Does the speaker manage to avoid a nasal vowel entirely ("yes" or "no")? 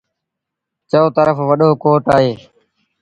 yes